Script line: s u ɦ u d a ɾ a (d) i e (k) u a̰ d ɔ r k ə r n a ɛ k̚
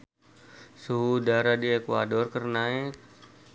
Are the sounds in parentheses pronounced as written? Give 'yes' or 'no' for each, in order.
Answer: yes, yes

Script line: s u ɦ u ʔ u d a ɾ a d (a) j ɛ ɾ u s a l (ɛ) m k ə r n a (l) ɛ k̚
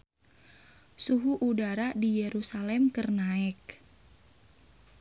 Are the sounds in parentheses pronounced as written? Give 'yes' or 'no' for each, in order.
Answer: no, yes, no

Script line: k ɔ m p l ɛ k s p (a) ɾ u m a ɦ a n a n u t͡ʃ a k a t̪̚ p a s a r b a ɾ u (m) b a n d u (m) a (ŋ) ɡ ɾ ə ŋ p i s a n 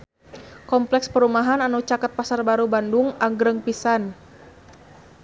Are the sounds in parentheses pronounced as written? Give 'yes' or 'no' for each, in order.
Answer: no, no, no, yes

